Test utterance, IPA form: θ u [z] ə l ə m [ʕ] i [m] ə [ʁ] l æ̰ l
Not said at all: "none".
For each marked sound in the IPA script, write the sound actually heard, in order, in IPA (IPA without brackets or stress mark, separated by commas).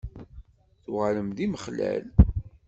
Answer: ʁ, ð, m, χ